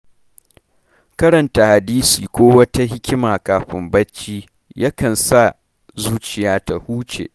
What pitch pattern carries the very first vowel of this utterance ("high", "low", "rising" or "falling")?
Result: high